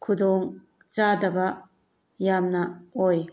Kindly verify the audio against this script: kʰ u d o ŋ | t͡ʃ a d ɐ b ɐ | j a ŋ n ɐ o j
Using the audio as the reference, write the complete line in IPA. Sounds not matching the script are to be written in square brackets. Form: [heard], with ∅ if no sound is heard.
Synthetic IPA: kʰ u d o ŋ | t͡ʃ a d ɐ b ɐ | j a [m] n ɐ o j